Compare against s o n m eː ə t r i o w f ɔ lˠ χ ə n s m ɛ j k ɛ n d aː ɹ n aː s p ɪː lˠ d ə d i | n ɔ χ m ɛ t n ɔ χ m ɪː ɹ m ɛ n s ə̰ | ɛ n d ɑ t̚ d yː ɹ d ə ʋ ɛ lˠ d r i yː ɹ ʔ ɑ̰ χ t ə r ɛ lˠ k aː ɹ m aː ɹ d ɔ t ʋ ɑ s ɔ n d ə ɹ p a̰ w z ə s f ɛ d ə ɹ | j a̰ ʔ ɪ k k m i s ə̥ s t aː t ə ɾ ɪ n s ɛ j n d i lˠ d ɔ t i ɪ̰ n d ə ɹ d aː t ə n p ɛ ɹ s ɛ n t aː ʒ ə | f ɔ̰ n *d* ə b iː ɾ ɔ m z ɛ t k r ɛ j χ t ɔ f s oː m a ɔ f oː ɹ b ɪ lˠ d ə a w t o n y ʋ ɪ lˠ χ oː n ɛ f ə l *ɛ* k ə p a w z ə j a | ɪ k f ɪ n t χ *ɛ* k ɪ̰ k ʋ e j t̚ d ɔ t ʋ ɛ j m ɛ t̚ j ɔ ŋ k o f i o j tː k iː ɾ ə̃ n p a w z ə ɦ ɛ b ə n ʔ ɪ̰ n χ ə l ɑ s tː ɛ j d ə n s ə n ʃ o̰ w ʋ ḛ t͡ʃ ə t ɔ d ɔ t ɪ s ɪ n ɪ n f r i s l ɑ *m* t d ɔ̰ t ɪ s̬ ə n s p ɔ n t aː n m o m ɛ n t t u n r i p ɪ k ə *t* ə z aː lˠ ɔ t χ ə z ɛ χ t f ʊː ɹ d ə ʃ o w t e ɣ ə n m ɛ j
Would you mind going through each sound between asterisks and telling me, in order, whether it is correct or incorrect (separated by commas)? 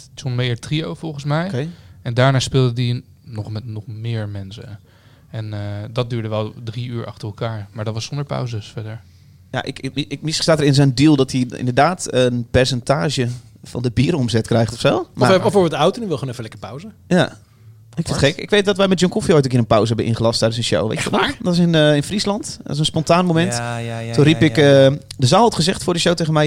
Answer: correct, correct, correct, incorrect, incorrect